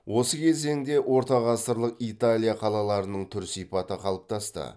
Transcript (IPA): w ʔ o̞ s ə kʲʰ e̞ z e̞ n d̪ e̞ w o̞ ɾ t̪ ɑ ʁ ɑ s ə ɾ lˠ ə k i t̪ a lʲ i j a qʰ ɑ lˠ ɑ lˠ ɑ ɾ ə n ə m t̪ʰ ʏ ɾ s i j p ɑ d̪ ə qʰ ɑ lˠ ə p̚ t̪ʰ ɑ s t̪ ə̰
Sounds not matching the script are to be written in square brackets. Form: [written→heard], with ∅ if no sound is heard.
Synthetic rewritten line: w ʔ o̞ s ə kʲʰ e̞ z e̞ [n→ŋ] d̪ e̞ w o̞ ɾ t̪ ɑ ʁ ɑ s ə ɾ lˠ ə [k→q] i t̪ a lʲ i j a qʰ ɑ lˠ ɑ lˠ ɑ ɾ ə n ə [m→ɴ] t̪ʰ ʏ ɾ s i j p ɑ [d̪→t̪] ə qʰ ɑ lˠ ə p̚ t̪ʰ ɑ s t̪ ə̰